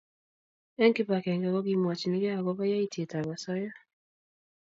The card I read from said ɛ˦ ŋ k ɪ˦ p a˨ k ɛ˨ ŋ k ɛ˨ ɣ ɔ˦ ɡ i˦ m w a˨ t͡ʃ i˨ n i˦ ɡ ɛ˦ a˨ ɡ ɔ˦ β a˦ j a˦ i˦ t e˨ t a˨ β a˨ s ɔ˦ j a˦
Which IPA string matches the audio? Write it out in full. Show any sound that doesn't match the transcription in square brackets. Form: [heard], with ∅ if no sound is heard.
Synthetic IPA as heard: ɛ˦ ŋ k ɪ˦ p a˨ k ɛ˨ ŋ [ɡ] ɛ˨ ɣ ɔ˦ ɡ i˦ m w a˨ t͡ʃ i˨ n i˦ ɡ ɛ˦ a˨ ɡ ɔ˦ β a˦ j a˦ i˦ t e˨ t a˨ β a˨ s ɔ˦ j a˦